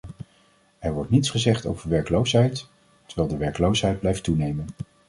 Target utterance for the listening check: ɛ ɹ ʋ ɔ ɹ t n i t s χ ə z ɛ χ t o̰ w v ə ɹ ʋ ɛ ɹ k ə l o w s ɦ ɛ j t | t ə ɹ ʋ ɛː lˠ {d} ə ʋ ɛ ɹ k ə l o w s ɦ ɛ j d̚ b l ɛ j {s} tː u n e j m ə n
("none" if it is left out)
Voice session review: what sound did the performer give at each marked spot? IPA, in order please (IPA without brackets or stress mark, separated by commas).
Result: d, f